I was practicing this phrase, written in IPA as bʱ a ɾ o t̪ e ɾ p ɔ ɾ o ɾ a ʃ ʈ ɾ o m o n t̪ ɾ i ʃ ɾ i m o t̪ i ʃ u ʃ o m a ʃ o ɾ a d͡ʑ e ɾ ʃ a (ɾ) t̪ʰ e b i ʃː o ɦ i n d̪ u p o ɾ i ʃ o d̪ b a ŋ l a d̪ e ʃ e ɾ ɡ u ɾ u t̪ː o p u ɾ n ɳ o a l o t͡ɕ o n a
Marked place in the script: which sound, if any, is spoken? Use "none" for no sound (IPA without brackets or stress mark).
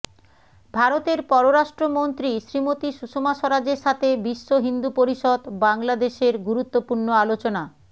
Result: none